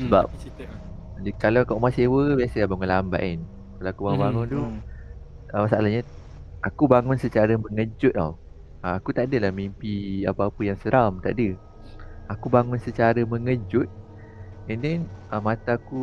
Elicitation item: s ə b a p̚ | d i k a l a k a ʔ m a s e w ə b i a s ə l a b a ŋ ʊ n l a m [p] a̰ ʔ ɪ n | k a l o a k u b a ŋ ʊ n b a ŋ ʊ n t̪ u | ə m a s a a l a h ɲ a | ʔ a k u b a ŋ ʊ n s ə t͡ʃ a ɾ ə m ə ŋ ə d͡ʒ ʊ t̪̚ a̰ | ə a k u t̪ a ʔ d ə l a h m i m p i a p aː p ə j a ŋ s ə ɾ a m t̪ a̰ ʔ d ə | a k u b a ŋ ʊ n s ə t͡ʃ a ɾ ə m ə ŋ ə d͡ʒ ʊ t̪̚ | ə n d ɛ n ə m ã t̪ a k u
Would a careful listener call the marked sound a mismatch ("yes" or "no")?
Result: yes